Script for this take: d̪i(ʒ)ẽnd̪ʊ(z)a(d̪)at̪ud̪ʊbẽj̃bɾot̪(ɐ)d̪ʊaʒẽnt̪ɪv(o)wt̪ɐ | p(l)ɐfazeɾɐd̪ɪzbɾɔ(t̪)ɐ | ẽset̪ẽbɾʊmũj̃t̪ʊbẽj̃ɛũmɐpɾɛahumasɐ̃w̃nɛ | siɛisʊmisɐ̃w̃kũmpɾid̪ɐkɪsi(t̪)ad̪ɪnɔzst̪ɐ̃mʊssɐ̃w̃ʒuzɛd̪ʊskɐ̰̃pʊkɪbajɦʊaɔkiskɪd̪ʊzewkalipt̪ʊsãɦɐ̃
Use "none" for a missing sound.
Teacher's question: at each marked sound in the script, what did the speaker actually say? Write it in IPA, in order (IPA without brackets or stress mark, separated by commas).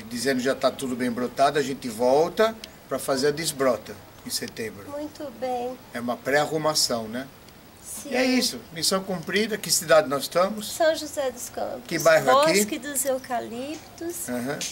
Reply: z, ʒ, t̪, a, ɔ, ɾ, t̪, d̪